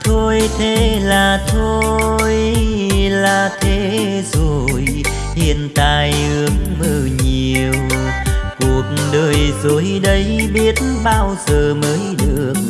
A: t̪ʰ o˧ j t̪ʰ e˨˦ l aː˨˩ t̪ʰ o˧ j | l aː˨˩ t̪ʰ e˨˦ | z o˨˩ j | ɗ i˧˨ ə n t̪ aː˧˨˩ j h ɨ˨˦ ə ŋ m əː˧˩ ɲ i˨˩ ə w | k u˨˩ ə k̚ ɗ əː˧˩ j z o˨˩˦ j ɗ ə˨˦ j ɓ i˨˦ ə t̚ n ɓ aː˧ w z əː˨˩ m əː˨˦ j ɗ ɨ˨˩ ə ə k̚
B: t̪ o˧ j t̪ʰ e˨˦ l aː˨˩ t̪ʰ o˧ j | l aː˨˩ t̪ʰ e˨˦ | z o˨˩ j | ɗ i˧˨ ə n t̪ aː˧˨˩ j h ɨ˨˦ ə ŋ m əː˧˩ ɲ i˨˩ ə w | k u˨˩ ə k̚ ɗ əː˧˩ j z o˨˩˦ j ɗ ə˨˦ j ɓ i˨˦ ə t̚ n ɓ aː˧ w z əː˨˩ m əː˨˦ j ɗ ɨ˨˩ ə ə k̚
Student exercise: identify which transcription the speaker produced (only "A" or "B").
A